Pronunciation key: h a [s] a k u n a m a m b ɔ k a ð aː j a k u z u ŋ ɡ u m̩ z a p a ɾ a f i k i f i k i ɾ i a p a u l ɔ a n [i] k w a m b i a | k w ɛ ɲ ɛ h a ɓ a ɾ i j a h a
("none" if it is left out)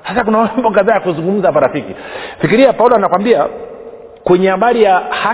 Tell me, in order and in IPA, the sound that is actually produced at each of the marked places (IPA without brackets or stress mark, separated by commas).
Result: s, a